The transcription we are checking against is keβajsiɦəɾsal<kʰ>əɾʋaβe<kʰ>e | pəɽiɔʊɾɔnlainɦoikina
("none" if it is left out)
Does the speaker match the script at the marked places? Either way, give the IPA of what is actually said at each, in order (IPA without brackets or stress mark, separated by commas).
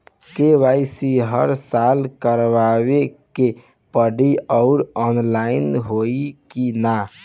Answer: k, k